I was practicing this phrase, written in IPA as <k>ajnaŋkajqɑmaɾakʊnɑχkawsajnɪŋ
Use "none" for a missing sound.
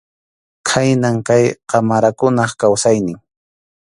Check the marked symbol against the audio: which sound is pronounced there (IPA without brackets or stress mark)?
kʰ